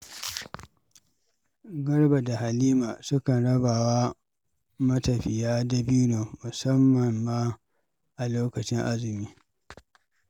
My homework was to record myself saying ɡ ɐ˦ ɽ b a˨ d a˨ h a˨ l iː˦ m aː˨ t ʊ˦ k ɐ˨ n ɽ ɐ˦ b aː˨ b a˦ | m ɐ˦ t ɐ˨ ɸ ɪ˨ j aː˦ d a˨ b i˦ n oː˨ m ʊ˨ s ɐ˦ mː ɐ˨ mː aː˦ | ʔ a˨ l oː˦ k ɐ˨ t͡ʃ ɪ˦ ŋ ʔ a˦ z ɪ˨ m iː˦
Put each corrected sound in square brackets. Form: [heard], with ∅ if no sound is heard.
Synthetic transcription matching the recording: ɡ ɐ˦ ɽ b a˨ d a˨ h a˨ l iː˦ m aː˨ [s] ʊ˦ k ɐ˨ n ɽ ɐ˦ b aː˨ [w] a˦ | m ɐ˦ t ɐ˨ ɸ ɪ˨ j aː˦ d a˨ b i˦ n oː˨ m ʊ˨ s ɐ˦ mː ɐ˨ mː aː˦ | ʔ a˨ l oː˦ k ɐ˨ t͡ʃ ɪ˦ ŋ ʔ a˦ z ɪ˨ m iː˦

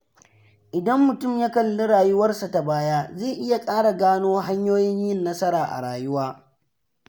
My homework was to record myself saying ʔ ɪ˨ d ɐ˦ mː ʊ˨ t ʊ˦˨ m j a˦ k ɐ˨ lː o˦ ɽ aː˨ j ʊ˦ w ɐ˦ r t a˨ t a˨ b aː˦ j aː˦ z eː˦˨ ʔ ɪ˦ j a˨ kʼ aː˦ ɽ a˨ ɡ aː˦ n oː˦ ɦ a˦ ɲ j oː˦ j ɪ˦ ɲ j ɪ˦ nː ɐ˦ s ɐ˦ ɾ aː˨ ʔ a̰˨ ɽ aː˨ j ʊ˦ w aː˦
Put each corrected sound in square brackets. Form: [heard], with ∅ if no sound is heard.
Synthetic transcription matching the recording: ʔ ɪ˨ d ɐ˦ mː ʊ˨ t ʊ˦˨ m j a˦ k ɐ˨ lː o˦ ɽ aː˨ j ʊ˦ w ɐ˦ r [s] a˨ t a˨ b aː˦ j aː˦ z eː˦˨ ʔ ɪ˦ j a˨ kʼ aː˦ ɽ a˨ ɡ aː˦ n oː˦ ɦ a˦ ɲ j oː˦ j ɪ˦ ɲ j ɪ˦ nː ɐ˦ s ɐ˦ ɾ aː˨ ʔ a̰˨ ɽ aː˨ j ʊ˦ w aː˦

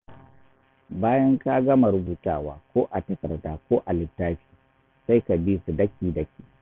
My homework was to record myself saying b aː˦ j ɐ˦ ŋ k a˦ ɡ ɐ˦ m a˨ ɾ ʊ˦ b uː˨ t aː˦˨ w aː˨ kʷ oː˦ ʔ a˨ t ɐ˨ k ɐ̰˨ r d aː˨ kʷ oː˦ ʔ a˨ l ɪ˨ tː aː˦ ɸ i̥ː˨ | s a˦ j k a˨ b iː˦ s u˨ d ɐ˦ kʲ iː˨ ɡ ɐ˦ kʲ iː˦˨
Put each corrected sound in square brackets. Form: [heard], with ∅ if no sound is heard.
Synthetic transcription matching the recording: b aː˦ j ɐ˦ ŋ k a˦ ɡ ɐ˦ m a˨ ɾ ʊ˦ b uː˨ t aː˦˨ w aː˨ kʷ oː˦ ʔ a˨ t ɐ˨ k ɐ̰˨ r d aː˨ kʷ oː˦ ʔ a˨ l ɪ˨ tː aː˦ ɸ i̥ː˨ | s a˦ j k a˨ b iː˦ s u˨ d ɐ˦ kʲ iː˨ [d] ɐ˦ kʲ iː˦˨

